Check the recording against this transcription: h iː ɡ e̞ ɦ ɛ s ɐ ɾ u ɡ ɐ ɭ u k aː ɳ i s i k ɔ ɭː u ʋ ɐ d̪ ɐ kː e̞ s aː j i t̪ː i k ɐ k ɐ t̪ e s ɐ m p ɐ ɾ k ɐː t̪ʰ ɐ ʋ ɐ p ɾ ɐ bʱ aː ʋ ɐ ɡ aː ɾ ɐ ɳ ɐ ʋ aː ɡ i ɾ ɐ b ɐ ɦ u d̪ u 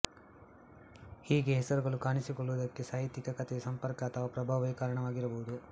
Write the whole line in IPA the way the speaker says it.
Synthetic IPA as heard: h iː ɡ e̞ ɦ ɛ s ɐ ɾ u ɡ ɐ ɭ u k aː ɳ i s i k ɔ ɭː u ʋ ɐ d̪ ɐ kː e̞ s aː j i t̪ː i k ɐ k ɐ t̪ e s ɐ m p ɐ ɾ k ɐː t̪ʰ ɐ ʋ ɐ p ɾ ɐ bʱ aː ʋ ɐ k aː ɾ ɐ ɳ ɐ ʋ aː ɡ i ɾ ɐ b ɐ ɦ u d̪ u

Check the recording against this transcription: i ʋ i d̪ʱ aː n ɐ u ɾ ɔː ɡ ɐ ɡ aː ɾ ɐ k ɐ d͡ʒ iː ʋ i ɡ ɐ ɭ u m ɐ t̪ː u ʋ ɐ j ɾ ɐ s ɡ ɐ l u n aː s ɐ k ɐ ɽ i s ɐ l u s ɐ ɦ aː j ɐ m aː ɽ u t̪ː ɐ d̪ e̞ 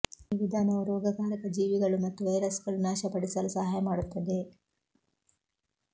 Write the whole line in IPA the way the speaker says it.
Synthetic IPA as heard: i ʋ i d̪ʱ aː n ɐ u ɾ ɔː ɡ ɐ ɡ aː ɾ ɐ k ɐ d͡ʒ iː ʋ i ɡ ɐ ɭ u m ɐ t̪ː u ʋ ɐ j ɾ ɐ s ɡ ɐ ɭ u n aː ʃ ɐ p ɐ ɽ i s ɐ l u s ɐ ɦ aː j ɐ m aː ɽ u t̪ː ɐ d̪ e̞

